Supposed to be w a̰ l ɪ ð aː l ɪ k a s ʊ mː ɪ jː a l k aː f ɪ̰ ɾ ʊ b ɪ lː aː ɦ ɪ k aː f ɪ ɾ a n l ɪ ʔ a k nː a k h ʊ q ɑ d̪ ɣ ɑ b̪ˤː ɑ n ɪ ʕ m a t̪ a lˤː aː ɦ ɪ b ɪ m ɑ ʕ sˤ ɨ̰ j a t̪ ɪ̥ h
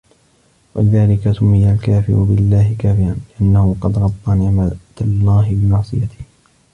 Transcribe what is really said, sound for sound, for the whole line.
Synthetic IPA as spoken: w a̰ l ɪ ð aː l ɪ k a s ʊ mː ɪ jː a l k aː f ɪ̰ ɾ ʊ b ɪ lː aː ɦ ɪ k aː f ɪ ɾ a n l ɪ ʔ a nː a h ʊ q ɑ d̪ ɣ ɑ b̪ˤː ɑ n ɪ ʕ m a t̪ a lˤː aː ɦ ɪ b ɪ m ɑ ʕ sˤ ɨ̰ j a t̪ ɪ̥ h